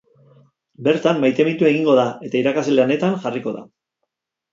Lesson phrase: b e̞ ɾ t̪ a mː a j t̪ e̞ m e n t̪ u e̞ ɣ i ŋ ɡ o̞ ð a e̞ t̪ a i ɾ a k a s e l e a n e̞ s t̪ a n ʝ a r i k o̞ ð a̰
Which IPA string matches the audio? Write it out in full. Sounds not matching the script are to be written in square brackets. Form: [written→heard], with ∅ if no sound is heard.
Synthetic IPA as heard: b e̞ ɾ t̪ a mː a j t̪ e̞ m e n t̪ u e̞ ɣ i ŋ ɡ o̞ ð a e̞ t̪ a i ɾ a k a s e l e a n e̞ [s→∅] t̪ a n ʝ a r i k o̞ ð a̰